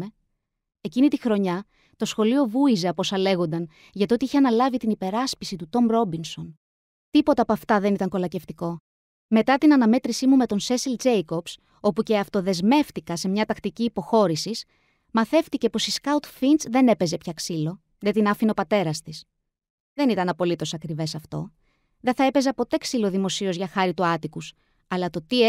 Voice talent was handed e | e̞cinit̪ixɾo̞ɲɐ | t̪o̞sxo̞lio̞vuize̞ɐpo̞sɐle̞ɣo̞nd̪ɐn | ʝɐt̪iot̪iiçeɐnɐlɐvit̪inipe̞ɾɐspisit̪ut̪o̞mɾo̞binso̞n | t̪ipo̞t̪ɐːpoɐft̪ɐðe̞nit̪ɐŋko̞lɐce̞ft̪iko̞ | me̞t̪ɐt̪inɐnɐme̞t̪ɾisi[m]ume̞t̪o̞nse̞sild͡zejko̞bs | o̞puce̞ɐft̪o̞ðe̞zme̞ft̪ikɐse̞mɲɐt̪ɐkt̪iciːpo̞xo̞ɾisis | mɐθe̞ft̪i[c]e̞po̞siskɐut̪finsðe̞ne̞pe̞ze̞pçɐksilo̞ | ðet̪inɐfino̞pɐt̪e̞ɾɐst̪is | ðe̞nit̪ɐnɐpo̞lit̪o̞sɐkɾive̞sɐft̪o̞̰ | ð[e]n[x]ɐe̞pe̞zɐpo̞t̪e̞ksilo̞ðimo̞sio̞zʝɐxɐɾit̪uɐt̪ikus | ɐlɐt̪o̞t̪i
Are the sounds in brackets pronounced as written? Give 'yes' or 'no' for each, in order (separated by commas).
yes, yes, yes, no